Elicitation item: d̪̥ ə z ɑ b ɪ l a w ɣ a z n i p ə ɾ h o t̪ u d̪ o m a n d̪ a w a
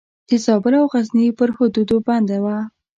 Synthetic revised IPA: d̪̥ ə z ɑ b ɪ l a w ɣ a z n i p ə ɾ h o d̪ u d̪ o b a n d̪ a w a